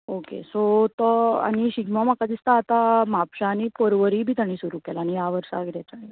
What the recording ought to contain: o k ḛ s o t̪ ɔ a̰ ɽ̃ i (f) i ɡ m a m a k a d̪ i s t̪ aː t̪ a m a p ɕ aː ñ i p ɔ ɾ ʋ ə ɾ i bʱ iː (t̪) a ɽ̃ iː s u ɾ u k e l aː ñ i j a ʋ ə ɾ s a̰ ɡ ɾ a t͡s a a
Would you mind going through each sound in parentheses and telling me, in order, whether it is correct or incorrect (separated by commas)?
incorrect, correct